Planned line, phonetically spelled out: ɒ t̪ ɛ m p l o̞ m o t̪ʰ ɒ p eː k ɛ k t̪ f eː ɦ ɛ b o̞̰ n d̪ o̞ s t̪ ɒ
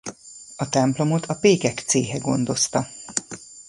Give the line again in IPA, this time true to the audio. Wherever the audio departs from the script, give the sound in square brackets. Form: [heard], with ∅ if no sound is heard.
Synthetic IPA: ɒ t̪ ɛ m p l o̞ m o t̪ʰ ɒ p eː k ɛ k t̪ [s] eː ɦ ɛ [ɡ] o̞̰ n d̪ o̞ s t̪ ɒ